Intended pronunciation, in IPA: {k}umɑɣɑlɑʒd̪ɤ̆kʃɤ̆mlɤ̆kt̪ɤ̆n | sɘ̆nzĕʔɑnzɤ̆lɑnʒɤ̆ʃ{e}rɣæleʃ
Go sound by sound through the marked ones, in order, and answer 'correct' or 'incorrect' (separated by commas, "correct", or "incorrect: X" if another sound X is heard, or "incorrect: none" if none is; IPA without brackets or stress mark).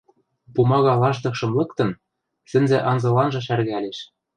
incorrect: p, incorrect: æ